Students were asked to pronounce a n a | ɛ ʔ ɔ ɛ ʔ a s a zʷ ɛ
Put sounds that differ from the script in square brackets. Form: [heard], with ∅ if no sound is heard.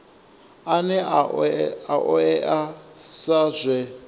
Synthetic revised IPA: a n [ɛ] | [a] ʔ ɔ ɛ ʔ a s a zʷ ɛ